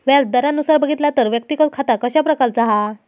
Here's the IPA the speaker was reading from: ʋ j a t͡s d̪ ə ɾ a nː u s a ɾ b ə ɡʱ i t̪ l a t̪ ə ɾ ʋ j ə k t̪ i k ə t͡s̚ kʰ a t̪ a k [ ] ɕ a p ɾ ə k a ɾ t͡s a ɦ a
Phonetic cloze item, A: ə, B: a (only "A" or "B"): A